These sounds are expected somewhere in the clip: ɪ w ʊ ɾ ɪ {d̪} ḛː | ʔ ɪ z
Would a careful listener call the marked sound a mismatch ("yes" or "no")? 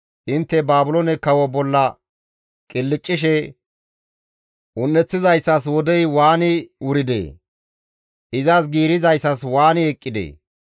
no